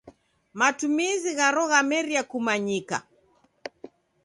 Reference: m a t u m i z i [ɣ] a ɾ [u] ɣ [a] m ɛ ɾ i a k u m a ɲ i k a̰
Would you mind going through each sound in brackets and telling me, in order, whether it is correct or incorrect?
correct, incorrect, correct

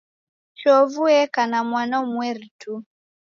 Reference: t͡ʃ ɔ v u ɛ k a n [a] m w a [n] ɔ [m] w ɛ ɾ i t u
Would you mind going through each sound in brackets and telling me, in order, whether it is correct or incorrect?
correct, correct, correct

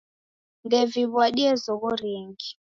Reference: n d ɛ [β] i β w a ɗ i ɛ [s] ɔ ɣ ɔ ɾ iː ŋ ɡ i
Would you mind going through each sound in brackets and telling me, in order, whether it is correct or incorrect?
incorrect, incorrect

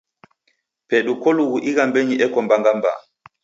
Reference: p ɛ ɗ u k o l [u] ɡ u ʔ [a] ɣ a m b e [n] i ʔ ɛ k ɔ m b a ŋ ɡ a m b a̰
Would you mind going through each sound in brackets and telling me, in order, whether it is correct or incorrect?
correct, incorrect, incorrect

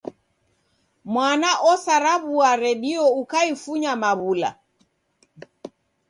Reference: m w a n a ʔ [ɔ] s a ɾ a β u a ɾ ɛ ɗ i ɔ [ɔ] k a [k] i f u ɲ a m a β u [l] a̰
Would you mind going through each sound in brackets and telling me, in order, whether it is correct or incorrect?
correct, incorrect, incorrect, correct

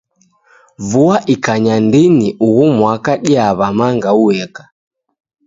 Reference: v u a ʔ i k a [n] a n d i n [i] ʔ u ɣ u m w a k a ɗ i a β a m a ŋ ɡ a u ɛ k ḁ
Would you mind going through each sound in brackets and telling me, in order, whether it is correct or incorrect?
incorrect, correct

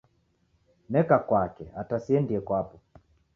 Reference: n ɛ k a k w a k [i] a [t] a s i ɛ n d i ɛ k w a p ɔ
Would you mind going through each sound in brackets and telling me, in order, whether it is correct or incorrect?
incorrect, correct

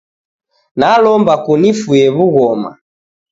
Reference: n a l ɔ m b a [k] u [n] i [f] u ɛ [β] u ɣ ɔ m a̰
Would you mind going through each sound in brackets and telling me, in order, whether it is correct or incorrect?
correct, correct, correct, correct

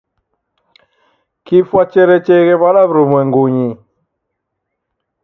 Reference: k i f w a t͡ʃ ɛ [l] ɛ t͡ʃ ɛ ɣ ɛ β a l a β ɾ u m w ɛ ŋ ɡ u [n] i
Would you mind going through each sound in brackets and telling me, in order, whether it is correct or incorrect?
incorrect, incorrect

